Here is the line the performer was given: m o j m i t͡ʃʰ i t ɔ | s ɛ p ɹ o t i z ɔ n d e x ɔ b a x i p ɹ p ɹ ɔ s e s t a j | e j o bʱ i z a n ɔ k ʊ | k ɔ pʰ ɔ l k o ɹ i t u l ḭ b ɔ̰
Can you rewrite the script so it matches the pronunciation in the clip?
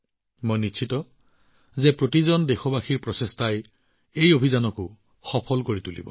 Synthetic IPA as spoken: m o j n i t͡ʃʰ i t ɔ | z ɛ p ɹ o t i z ɔ n d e x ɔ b a x i ɹ p ɹ ɔ s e s t a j | e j o bʱ i z a n ɔ k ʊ | x ɔ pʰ ɔ l k o ɹ i t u l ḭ b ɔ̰